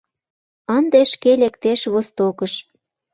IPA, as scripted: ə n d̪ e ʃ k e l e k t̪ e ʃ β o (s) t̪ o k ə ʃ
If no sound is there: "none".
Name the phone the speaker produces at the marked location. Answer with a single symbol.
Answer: s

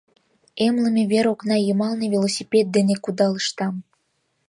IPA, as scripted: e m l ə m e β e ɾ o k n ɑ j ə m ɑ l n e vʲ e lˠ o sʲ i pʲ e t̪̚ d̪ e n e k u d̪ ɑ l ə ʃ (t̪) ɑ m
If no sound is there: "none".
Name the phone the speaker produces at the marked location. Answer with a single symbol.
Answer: t̪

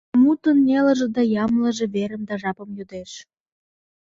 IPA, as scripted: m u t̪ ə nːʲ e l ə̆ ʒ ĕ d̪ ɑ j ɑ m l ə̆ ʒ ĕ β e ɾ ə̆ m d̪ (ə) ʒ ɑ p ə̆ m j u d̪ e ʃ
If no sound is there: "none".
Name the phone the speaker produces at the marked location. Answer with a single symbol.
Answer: ɑ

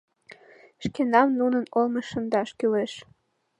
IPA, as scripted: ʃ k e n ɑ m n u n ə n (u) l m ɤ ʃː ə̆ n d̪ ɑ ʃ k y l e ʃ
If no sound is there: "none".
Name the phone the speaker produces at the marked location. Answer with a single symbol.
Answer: o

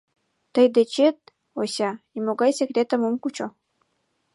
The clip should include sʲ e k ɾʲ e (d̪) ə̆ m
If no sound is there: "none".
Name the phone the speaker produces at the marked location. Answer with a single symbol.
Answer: t̪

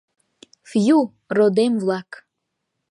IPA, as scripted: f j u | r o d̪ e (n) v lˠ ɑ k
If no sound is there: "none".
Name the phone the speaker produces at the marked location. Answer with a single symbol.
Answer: m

